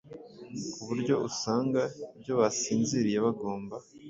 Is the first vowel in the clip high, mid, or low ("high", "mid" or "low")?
high